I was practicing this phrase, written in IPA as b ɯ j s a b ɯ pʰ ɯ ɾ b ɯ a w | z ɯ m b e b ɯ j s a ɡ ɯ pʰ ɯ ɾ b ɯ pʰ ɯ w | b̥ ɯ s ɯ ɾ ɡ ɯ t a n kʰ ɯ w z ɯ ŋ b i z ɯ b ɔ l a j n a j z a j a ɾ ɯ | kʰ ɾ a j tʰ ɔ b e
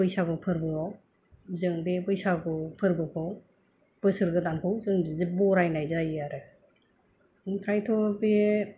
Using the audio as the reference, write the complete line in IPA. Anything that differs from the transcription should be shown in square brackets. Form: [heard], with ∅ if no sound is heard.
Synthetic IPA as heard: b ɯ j s a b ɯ pʰ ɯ ɾ b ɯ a w | z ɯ [ŋ] b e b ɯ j s a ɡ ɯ pʰ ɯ ɾ b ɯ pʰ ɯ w | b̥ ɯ s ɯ ɾ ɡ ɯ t a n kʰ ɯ w z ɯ ŋ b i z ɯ b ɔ [ɾ] a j n a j z a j a ɾ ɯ | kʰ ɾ a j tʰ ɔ b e

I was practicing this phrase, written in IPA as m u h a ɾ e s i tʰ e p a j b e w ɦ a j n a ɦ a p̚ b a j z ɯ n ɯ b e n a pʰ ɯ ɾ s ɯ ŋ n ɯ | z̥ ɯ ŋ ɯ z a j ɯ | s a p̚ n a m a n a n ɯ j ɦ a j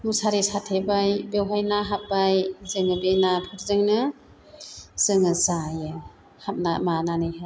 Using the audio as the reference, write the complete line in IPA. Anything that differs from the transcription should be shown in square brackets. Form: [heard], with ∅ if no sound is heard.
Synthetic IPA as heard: m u [s] a ɾ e s [a] tʰ e [b] a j b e w ɦ a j n a ɦ a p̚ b a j z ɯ [ŋ] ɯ b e n a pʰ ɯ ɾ [z] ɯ ŋ n ɯ | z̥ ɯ ŋ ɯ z a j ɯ | [h] a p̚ n a m a n a n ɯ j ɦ a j

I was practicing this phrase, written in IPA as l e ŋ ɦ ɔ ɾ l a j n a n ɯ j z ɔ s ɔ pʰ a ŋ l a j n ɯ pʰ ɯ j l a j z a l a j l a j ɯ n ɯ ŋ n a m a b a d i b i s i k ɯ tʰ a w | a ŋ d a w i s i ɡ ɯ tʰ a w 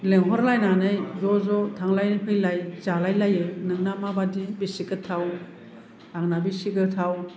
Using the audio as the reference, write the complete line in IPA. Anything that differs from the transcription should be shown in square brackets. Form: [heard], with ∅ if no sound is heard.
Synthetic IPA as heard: l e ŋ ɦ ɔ ɾ l a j n a n ɯ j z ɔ [z] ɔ [tʰ] a ŋ l a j n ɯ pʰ ɯ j l a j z a l a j l a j ɯ n ɯ ŋ n a m a b a d i b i s i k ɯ tʰ a w | a ŋ [n] a [b] i s i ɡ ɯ tʰ a w

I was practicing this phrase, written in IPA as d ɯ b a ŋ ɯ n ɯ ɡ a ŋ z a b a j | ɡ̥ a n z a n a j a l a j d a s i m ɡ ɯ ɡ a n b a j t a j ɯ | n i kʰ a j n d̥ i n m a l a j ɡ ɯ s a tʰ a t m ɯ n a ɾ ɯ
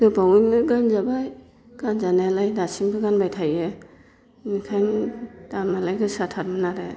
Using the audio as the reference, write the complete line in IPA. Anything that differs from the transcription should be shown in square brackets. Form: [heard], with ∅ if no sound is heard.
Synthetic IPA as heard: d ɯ b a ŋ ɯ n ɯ ɡ a [n] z a b a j | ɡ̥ a n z a n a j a l a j d a s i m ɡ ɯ ɡ a n b a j [tʰ] a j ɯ | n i kʰ a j n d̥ [a] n m a l a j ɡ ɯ s a tʰ a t m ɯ n a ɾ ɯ

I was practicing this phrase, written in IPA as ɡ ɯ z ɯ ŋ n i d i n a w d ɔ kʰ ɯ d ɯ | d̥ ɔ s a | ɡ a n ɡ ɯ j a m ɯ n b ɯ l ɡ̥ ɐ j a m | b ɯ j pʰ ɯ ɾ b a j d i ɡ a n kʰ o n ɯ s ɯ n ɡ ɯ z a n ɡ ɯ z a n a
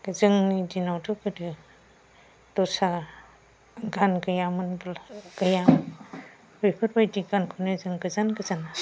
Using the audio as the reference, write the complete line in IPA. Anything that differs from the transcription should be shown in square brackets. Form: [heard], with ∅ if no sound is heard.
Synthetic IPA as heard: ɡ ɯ z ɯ ŋ n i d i n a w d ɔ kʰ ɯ d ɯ | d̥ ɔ s a | ɡ a n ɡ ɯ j a m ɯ n b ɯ l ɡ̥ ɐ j a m | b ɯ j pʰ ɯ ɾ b a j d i ɡ a n kʰ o n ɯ [z] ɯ [ŋ] ɡ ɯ z a n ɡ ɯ z a n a

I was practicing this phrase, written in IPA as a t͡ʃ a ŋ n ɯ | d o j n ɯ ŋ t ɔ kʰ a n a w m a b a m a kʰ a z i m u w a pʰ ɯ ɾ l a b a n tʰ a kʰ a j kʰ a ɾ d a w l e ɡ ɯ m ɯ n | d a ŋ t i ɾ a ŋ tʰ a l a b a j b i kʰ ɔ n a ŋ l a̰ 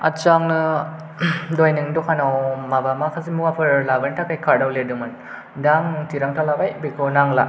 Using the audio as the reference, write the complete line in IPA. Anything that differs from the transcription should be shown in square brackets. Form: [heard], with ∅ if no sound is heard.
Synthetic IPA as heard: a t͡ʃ a ŋ n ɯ | d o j n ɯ ŋ [d] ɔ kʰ a n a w m a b a m a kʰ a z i m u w a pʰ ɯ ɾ l a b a n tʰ a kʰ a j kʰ a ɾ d a w l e [d] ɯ m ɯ n | d a ŋ t i ɾ a ŋ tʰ a l a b a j b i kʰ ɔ n a ŋ l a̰

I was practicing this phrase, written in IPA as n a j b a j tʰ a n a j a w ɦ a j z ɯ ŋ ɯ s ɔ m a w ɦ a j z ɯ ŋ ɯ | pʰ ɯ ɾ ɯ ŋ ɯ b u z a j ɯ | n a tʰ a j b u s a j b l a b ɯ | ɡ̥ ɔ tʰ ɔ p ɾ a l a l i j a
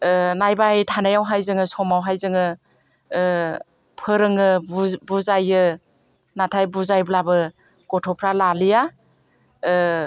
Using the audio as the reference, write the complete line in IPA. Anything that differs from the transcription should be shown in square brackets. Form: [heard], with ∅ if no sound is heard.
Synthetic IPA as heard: n a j b a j tʰ a n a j a w ɦ a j z ɯ ŋ ɯ s ɔ m a w ɦ a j z ɯ ŋ ɯ | pʰ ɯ ɾ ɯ ŋ ɯ b u z a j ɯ | n a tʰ a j b u [z] a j b l a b ɯ | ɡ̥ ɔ tʰ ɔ [pʰ] ɾ a l a l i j a

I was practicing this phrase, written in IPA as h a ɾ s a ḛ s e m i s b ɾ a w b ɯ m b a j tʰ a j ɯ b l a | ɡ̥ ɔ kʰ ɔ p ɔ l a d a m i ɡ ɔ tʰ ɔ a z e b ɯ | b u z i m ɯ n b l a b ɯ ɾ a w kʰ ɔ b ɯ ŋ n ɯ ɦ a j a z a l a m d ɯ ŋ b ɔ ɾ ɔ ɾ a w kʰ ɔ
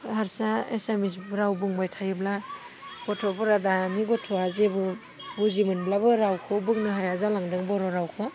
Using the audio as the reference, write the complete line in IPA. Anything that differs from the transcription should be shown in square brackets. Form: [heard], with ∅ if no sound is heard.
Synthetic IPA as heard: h a ɾ s a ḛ s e m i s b ɾ a w b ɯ [ŋ] b a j tʰ a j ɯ b l a | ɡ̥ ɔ [tʰ] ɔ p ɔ [ɾ] a d a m i ɡ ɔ tʰ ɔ a z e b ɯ | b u z i m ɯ n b l a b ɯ ɾ a w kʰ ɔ b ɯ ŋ n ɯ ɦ a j a z a l a [ŋ] d ɯ ŋ b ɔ ɾ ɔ ɾ a w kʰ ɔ

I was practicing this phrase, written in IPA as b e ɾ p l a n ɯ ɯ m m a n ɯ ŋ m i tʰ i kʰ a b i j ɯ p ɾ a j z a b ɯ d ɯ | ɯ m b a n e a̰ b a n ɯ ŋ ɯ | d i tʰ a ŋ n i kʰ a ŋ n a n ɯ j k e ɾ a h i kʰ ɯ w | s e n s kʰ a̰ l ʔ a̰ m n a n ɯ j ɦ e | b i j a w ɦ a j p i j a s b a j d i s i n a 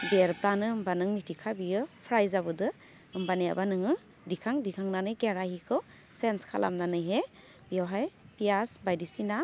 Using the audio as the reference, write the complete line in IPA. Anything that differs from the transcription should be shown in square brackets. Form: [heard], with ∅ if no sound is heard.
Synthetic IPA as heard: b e ɾ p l a n ɯ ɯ m [b] a n ɯ ŋ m i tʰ i kʰ a b i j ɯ [pʰ] ɾ a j z a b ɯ d ɯ | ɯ m b a n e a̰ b a n ɯ ŋ ɯ | d i [kʰ] a ŋ [d] i kʰ a ŋ n a n ɯ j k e ɾ a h i kʰ ɯ w | s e n s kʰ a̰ l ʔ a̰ m n a n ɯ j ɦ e | b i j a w ɦ a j p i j a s b a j d i s i n a

